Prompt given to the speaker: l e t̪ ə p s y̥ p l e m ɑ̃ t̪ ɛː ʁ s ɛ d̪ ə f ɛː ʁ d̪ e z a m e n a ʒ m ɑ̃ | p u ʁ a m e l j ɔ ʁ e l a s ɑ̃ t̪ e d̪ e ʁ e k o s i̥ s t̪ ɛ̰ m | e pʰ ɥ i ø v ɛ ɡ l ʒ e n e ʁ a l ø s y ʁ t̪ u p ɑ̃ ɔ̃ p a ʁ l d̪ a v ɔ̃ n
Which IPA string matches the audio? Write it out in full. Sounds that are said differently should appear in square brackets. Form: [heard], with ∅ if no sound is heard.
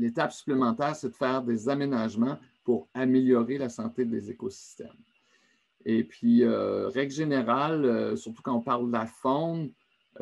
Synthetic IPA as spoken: l e t̪ [a] p s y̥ p l e m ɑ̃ t̪ ɛː ʁ s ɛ d̪ ə f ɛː ʁ d̪ e z a m e n a ʒ m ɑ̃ | p u ʁ a m e l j ɔ ʁ e l a s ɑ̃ t̪ e d̪ e [z] e k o s i̥ s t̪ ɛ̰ m | e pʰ ɥ i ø [ʁ] ɛ ɡ l ʒ e n e ʁ a l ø s y ʁ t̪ u [k] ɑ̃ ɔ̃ p a ʁ l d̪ a [f] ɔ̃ n